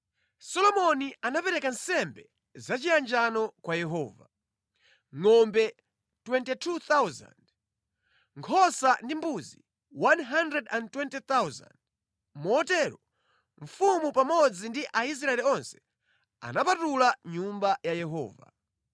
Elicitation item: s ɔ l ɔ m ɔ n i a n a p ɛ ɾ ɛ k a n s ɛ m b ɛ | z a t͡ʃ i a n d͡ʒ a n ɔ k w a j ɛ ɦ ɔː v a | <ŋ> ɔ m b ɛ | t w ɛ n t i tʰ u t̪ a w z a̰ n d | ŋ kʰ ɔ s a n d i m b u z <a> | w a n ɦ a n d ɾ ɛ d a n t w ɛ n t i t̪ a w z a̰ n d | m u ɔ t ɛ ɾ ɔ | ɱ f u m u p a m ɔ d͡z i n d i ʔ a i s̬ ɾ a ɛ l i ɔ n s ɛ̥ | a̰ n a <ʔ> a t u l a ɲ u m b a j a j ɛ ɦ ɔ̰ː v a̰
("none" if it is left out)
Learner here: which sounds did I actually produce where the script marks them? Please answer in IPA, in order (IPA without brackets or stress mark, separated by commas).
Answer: ŋ, i, p